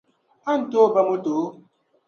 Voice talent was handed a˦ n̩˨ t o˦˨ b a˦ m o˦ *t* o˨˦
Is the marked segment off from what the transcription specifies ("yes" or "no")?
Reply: no